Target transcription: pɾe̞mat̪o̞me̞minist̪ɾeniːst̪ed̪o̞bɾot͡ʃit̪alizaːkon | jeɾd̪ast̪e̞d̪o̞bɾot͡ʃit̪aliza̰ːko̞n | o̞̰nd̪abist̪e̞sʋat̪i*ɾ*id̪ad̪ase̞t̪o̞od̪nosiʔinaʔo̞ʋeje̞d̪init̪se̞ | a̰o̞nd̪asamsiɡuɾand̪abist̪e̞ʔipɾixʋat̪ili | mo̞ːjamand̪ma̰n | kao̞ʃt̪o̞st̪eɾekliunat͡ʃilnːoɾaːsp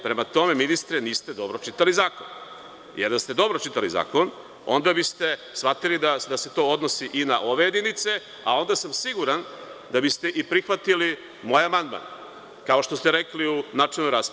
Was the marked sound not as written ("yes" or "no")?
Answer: yes